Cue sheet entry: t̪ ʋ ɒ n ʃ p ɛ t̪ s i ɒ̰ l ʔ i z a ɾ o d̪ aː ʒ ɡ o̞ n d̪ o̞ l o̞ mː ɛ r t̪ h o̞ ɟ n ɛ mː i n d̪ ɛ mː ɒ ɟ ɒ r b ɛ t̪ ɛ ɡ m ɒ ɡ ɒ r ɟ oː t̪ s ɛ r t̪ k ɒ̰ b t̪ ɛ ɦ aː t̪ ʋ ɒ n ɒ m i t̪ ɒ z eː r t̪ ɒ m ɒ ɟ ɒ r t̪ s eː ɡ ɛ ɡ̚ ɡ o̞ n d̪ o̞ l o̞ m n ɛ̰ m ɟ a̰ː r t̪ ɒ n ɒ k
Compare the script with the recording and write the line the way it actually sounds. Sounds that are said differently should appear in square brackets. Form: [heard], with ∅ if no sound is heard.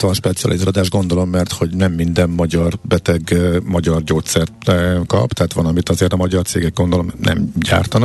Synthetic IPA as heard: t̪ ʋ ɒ n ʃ p ɛ t̪ s i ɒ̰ l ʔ i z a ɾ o d̪ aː ʒ ɡ o̞ n d̪ o̞ l o̞ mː ɛ r t̪ h o̞ ɟ n ɛ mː i n d̪ ɛ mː ɒ ɟ ɒ r b ɛ t̪ ɛ ɡ m ɒ [ɟ] ɒ r ɟ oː t̪ s ɛ r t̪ k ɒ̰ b t̪ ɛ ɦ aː t̪ ʋ ɒ n ɒ m i t̪ ɒ z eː r t̪ ɒ m ɒ ɟ ɒ r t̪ s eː ɡ ɛ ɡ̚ ɡ o̞ n d̪ o̞ l o̞ m n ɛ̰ m ɟ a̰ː r t̪ ɒ n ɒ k